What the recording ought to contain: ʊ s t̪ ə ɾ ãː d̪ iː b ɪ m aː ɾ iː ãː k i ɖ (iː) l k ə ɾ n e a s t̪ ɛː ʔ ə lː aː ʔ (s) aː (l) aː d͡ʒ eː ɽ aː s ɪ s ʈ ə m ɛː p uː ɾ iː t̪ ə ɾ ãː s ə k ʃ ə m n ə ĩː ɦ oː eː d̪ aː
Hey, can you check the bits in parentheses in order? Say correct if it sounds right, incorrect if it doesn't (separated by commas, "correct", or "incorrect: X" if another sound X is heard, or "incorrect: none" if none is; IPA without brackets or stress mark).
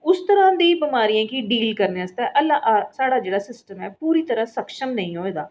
correct, correct, incorrect: ɽ